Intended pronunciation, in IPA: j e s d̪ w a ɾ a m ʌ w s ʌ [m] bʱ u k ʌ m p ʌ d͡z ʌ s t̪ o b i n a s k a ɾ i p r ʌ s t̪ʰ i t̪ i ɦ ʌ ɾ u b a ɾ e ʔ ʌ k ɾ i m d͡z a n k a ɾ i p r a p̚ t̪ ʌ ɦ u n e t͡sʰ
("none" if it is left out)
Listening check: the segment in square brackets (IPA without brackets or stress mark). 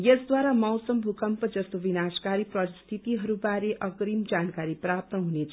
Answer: m